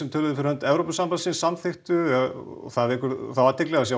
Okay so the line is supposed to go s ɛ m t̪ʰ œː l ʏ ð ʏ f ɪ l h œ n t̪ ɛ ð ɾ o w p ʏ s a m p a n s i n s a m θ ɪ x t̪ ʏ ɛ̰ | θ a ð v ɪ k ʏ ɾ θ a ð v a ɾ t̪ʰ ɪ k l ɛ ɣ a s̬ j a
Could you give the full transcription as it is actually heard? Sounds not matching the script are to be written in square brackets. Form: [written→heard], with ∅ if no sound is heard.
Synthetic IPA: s ɛ m t̪ʰ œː l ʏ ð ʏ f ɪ [l→ɾ] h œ n t̪ ɛ [ð→v] ɾ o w p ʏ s a m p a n s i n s a m θ ɪ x t̪ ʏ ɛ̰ | θ a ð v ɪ k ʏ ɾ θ a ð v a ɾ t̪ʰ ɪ k l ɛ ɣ a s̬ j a